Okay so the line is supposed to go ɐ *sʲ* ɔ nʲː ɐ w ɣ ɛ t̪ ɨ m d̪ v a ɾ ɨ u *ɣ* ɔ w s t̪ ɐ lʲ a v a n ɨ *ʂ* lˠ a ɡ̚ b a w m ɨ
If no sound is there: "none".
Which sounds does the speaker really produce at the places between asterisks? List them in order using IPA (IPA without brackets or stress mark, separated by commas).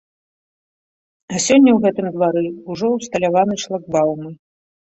sʲ, ʐ, ʂ